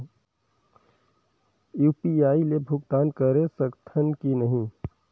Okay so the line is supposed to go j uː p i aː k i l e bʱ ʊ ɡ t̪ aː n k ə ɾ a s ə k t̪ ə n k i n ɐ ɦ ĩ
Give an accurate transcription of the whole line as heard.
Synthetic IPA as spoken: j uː p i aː i l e bʱ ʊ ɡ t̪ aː n k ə ɾ e s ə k t̪ʰ ə n k i n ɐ ɦ ĩ